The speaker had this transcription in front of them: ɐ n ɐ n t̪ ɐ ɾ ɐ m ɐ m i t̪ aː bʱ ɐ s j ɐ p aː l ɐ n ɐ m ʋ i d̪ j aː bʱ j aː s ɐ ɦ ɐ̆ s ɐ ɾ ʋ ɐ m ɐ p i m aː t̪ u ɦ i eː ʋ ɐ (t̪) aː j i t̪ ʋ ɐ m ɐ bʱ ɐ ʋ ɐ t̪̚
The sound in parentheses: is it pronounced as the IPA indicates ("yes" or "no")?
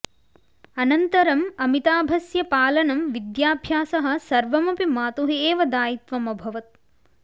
no